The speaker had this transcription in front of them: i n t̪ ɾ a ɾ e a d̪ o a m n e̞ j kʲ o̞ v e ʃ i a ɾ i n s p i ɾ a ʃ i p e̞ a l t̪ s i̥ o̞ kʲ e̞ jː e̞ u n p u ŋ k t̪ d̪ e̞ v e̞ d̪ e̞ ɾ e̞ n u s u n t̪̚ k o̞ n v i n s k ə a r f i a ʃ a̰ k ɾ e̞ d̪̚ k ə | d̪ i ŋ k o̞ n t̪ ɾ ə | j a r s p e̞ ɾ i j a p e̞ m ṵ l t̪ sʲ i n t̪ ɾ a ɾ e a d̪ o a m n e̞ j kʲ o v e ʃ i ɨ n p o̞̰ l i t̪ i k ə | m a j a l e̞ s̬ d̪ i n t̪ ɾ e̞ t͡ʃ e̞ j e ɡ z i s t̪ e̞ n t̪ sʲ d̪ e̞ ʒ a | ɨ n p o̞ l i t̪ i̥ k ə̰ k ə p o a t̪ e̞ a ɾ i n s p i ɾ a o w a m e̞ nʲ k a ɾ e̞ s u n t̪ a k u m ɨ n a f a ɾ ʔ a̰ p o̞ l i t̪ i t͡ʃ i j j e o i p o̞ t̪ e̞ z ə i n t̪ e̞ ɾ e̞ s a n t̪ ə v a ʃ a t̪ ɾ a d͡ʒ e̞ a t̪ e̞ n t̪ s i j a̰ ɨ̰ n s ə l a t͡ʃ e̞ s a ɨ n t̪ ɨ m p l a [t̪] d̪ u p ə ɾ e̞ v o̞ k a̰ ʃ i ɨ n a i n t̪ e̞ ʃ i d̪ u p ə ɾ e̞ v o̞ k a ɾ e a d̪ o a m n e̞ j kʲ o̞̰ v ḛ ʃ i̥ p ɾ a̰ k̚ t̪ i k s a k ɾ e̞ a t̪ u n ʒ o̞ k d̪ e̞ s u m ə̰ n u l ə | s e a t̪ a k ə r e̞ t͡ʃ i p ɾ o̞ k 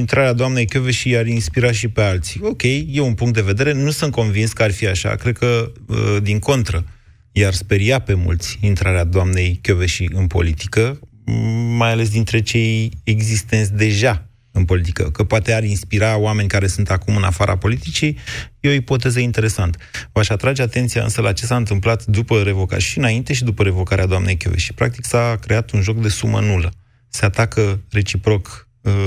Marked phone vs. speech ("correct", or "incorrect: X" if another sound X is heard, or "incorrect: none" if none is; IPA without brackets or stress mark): correct